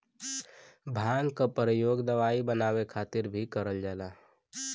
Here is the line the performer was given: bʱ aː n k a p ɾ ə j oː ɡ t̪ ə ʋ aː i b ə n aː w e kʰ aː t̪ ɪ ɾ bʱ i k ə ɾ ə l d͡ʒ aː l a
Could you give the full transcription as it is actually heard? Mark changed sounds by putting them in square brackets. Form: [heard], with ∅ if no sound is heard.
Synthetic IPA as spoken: bʱ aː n k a p ɾ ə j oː ɡ [d̪] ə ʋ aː i b ə n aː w e kʰ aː t̪ ɪ ɾ bʱ i k ə ɾ ə l d͡ʒ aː l a

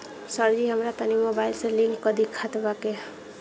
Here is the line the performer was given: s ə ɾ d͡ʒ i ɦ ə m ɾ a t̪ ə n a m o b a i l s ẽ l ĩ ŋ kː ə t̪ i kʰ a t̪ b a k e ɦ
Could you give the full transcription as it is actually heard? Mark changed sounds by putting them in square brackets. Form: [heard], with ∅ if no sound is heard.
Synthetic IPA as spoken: s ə ɾ d͡ʒ i ɦ ə m ɾ a t̪ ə n [i] m o b a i l s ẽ l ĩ ŋ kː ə [d̪] i kʰ a t̪ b a k e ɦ

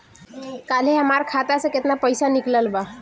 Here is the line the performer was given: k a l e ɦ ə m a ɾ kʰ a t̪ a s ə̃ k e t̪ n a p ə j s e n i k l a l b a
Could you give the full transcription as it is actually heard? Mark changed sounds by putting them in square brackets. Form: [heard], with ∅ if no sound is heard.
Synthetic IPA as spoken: k a l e ɦ ə m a ɾ kʰ a t̪ a s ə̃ k e t̪ n a p ə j s [a] n i k l [ə] l b a

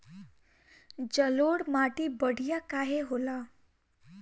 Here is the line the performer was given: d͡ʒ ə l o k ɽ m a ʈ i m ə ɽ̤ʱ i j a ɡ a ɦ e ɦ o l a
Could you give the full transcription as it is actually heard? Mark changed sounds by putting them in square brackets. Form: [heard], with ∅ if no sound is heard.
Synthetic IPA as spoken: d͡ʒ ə l o [∅] ɽ m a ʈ i [b] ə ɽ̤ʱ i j a [k] a ɦ e ɦ o l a

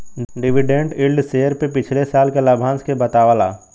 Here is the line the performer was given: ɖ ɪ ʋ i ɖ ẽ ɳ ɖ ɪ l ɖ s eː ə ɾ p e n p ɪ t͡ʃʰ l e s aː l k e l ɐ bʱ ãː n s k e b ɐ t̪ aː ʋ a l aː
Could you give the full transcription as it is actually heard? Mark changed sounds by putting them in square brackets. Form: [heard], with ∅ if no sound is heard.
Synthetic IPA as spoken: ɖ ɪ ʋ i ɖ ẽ ɳ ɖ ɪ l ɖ s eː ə ɾ p e [∅] p ɪ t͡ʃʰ l e s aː l k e l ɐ bʱ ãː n s k e b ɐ t̪ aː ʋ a l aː

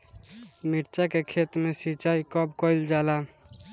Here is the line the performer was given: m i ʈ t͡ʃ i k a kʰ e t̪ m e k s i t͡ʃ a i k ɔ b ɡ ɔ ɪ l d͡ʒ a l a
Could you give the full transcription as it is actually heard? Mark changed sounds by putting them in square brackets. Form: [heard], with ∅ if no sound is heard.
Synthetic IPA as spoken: m i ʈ t͡ʃ [a] k [e] kʰ e t̪ m e [∅] s i t͡ʃ a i k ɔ b [k] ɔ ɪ l d͡ʒ a l a

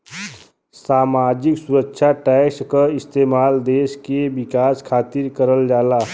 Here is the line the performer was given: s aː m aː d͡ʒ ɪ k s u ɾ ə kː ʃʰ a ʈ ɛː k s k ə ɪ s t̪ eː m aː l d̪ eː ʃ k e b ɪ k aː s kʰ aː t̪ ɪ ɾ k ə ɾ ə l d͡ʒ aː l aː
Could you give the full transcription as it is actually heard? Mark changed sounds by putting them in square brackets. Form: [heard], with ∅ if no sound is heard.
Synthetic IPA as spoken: s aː m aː d͡ʒ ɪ k s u ɾ ə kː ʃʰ a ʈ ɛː k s k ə ɪ s t̪ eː m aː l d̪ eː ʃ k e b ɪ k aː s kʰ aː t̪ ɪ ɾ k ə ɾ ə l d͡ʒ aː l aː

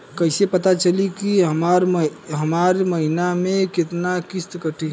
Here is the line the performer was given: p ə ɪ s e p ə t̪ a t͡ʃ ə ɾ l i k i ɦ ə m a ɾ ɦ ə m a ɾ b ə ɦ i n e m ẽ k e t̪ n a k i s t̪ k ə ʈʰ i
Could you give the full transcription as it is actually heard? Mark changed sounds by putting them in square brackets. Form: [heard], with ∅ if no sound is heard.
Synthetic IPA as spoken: [k] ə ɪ s e p ə t̪ a t͡ʃ ə [∅] l i k i ɦ ə m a ɾ ɦ ə m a ɾ [m] ə ɦ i n [a] m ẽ k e t̪ n a k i s t̪ k ə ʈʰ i

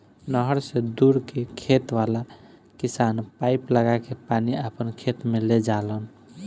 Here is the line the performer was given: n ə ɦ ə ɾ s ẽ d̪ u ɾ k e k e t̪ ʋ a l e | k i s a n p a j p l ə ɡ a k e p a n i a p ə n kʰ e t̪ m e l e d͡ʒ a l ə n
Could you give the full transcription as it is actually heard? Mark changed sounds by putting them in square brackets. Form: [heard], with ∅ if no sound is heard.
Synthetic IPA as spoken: n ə ɦ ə ɾ s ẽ d̪ u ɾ k e [kʰ] e t̪ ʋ a l [a] | k i s a n p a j p l ə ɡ a k e p a n i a p ə n kʰ e t̪ m e l e d͡ʒ a l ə n

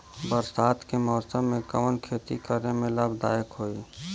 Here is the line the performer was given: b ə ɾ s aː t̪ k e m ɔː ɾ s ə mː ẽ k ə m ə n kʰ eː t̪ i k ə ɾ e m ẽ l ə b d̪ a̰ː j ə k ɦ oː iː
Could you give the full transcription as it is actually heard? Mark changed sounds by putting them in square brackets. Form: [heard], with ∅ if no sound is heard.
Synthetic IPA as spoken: b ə ɾ s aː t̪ k e m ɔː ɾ s ə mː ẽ k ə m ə n kʰ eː t̪ i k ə ɾ e m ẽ l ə b d̪ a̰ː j ə k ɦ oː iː

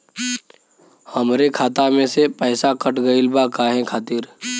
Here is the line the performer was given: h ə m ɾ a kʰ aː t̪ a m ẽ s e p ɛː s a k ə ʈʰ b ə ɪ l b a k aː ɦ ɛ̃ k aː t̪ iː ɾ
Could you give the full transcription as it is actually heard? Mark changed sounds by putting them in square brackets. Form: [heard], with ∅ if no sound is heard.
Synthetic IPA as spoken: h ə m ɾ [e] kʰ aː t̪ a m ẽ s e p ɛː s a k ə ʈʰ [ɡ] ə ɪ l b a k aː ɦ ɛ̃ [kʰ] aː t̪ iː ɾ

